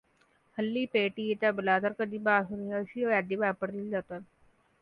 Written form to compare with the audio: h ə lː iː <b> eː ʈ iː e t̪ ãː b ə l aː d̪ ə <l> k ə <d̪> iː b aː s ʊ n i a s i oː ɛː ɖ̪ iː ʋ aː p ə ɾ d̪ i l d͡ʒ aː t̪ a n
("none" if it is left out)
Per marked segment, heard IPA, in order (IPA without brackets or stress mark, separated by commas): p, ɾ, d̪